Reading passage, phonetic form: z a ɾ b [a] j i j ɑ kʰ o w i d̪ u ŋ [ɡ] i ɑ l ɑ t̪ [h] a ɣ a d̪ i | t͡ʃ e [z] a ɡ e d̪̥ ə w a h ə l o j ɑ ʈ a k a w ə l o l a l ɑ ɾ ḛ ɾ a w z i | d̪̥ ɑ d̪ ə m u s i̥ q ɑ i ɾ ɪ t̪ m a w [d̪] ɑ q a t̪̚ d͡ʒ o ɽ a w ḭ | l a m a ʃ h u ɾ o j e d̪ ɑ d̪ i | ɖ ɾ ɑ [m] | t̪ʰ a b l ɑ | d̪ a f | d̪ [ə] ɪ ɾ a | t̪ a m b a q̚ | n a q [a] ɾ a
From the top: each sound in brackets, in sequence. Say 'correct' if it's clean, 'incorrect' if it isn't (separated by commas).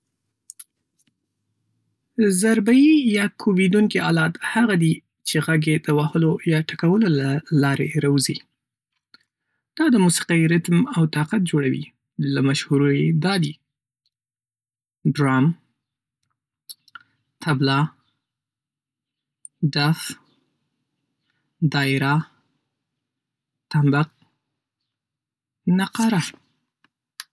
correct, incorrect, correct, incorrect, incorrect, correct, incorrect, incorrect